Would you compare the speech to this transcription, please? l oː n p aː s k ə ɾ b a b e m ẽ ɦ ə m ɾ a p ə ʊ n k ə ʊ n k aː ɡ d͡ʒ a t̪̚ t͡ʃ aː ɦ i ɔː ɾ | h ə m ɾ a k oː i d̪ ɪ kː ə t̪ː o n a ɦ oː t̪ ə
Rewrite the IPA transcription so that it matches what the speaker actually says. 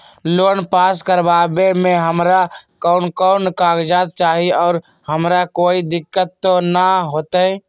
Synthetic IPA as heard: l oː n p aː s k ə ɾ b a b e m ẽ ɦ ə m ɾ a k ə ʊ n k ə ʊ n k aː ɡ d͡ʒ a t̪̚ t͡ʃ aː ɦ i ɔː ɾ | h ə m ɾ a k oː i d̪ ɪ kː ə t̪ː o n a ɦ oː t̪ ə